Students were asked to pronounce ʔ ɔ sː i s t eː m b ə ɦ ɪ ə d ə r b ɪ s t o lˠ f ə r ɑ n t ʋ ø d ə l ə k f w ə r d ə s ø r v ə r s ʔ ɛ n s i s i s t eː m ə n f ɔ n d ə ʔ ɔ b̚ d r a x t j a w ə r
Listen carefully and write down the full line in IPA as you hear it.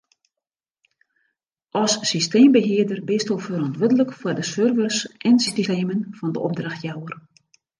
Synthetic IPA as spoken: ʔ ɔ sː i s t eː m b ə ɦ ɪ ə d ə r b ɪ s t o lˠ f ə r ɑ n t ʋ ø d ə l ə k f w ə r d ə s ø r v ə r s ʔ ɛ n s i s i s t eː m ə n f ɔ n d ə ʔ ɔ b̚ d r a x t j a w ə r

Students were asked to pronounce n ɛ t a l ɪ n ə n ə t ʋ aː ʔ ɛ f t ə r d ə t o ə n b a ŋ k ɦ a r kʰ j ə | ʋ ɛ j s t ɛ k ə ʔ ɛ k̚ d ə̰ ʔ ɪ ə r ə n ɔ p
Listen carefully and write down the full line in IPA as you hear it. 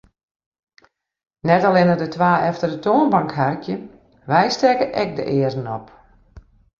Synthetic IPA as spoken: n ɛ t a l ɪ n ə d ə t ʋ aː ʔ ɛ f t ə r d ə t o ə n b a ŋ k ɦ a r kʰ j ə | ʋ ɛ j s t ɛ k ə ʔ ɛ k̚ d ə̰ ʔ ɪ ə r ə n ɔ p

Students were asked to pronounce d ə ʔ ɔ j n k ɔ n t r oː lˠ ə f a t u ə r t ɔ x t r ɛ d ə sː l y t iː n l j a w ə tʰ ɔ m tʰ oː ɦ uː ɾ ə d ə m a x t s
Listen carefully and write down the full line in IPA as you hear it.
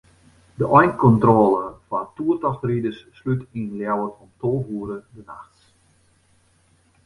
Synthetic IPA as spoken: d ə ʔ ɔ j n k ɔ n t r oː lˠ ə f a t u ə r t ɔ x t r i d ə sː l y t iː n l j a w ə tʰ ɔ m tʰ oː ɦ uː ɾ ə d ə n a x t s

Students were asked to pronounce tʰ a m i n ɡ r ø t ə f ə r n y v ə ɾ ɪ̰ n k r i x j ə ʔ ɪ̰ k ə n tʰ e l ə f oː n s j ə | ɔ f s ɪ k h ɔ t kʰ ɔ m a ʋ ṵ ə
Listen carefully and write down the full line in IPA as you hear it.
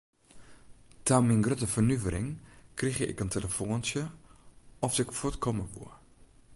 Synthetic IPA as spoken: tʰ a m i n ɡ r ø t ə f ə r n y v ə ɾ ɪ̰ ŋ k r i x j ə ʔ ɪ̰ k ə n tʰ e l ə f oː n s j ə | ɔ f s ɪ k f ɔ t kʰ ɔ m ə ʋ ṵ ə

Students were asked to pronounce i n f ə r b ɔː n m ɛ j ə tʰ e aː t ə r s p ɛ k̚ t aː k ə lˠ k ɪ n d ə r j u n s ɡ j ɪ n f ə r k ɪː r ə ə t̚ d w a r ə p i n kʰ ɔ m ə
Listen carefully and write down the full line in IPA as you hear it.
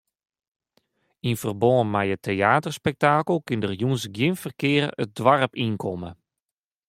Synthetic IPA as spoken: i n f ə r b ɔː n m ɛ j ə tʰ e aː t ə r s p ɛ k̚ t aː k ə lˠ k ɪ n d ə r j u n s ɡ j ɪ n f ə r k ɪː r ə ə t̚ d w a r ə p i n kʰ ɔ m ə

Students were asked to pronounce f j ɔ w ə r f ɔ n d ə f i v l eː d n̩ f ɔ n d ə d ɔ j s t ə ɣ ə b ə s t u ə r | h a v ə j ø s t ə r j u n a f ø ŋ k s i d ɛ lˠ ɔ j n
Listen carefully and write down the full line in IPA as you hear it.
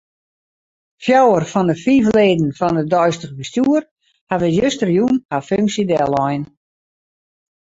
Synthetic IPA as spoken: f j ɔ w ə r f ɔ n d ə f i v l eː d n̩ f ɔ n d ə d ɔ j s t ə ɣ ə b ə s t u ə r | h a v ə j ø s t ə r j u n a f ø ŋ k s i d ɛ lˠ ɔ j n

